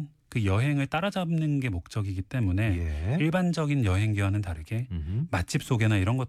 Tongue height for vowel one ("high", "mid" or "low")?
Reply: high